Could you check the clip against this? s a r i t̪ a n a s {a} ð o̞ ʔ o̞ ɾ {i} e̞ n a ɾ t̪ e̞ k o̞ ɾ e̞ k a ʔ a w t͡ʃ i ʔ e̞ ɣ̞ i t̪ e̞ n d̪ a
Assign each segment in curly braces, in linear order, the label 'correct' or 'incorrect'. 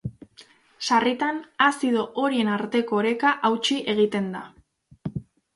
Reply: incorrect, correct

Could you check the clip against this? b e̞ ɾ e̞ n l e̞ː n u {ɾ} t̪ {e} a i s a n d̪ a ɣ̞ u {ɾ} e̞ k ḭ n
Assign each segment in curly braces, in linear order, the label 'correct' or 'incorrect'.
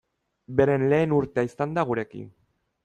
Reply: correct, correct, correct

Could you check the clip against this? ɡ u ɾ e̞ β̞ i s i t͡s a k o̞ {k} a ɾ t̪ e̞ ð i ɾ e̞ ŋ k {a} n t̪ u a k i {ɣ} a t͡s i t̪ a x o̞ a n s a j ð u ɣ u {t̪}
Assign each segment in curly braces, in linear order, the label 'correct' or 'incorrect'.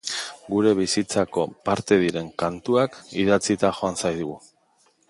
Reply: incorrect, correct, incorrect, incorrect

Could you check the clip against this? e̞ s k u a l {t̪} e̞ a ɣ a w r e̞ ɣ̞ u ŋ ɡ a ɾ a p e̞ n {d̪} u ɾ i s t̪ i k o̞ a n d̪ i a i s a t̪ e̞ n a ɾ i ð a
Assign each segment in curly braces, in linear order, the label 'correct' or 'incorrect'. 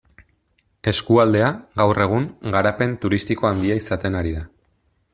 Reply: incorrect, incorrect

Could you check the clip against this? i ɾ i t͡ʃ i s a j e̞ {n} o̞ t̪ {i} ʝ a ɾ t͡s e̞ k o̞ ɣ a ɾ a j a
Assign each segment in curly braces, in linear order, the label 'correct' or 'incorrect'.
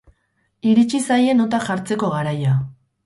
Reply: correct, incorrect

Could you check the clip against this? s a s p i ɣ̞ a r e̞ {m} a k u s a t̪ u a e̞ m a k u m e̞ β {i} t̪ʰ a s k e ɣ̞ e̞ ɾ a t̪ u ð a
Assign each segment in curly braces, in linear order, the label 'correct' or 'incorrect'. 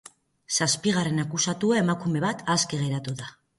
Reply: incorrect, incorrect

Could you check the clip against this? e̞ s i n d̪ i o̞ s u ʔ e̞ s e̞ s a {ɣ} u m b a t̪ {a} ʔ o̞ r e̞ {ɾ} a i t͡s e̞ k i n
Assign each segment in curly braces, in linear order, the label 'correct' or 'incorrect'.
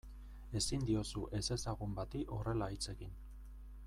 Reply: correct, incorrect, incorrect

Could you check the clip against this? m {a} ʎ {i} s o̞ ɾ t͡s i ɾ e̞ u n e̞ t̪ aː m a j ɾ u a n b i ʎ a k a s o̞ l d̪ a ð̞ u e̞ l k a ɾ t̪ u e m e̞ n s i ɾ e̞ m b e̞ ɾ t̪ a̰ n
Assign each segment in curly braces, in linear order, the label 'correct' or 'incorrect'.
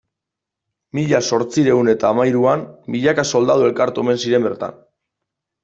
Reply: incorrect, incorrect

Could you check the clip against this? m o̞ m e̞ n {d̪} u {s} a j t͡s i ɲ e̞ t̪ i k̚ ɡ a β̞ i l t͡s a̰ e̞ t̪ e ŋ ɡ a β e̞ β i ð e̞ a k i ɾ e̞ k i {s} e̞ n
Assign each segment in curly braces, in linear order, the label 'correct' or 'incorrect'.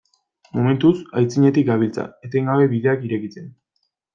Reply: incorrect, correct, incorrect

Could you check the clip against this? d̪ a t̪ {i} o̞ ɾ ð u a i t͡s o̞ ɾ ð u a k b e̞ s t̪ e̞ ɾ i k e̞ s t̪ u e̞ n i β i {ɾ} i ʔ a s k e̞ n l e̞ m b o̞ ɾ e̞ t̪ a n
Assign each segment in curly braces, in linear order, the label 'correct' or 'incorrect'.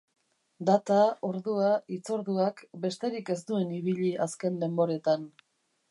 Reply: incorrect, incorrect

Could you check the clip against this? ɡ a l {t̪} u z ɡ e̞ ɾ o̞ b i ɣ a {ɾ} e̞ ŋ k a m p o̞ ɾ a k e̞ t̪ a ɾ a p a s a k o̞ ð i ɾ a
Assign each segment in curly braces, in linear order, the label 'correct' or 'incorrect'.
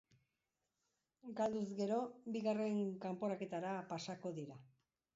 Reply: incorrect, incorrect

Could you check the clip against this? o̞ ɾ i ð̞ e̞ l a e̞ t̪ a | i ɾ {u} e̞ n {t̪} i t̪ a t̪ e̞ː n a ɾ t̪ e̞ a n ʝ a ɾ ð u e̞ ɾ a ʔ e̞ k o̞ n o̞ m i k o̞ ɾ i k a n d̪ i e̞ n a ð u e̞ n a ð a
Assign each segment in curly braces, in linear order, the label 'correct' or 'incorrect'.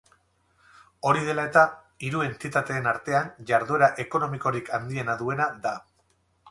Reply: correct, correct

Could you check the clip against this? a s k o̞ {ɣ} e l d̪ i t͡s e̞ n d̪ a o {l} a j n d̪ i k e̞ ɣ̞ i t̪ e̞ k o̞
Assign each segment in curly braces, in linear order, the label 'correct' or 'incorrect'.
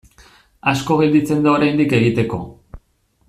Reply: correct, incorrect

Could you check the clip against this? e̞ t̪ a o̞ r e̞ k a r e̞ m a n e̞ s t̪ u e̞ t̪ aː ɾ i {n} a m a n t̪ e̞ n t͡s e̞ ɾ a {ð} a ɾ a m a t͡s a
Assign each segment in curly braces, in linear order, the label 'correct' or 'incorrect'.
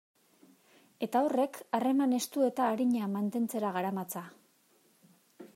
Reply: incorrect, incorrect

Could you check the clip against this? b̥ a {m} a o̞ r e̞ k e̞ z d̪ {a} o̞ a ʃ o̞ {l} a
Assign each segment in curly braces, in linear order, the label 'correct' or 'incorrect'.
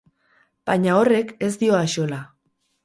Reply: incorrect, incorrect, correct

